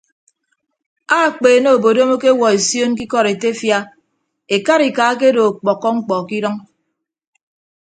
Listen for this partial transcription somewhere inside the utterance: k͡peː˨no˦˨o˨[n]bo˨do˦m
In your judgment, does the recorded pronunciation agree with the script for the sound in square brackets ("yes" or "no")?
no